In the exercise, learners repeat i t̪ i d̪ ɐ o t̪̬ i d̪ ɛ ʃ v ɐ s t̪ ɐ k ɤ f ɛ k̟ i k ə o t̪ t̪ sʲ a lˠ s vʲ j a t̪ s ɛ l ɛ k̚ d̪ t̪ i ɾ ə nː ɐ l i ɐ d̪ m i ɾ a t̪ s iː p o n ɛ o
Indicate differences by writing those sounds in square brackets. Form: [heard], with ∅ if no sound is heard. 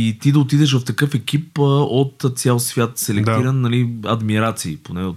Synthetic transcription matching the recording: i t̪ i d̪ ɐ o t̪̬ i d̪ ɛ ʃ v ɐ [f] t̪ ɐ k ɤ f ɛ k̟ i [p] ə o t̪ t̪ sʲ a lˠ s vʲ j a t̪ s ɛ l ɛ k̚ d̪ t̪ i ɾ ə nː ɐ l i ɐ d̪ m i ɾ a t̪ s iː p o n ɛ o